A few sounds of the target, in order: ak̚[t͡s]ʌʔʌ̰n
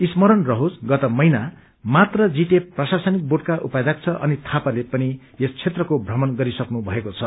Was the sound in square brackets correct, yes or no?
no